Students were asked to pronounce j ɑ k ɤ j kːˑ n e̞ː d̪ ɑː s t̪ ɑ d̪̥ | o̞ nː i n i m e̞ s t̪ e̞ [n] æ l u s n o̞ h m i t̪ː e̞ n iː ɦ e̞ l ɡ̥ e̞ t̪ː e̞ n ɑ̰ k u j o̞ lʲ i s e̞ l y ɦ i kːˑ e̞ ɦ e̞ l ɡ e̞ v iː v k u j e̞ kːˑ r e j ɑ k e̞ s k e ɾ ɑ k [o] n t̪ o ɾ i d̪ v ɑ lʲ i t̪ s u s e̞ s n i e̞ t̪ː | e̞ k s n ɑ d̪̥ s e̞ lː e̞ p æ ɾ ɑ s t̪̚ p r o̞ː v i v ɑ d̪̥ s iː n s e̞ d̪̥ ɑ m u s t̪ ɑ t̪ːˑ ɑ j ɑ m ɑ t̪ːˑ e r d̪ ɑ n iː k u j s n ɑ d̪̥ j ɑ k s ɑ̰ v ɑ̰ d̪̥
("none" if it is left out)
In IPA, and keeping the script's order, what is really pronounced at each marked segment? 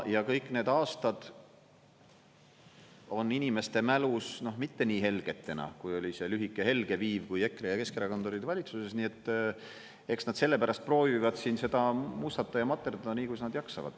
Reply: m, o

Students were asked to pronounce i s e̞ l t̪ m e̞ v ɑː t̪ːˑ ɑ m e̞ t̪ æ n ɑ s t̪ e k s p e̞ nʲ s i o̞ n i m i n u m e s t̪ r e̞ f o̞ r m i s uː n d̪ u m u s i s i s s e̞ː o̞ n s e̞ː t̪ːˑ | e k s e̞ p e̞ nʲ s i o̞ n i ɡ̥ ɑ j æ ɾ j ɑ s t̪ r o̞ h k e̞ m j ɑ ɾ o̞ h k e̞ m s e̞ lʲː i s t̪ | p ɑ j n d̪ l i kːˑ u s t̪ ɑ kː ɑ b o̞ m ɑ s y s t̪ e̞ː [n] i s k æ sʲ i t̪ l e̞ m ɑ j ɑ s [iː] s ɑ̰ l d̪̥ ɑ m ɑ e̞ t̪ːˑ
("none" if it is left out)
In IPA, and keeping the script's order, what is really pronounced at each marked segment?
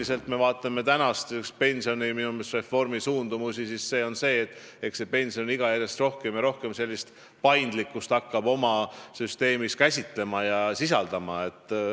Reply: m, i

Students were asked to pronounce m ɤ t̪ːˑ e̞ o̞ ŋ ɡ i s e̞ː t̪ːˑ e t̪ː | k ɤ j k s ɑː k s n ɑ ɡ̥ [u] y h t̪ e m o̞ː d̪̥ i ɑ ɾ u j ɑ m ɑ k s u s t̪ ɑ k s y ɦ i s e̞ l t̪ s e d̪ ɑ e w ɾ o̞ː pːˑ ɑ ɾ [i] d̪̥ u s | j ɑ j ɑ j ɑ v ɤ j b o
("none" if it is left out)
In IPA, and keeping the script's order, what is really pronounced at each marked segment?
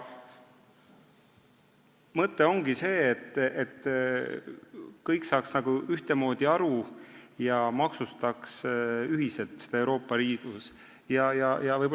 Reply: u, iː

